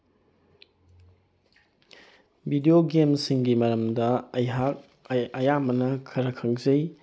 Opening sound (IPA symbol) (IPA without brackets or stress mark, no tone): b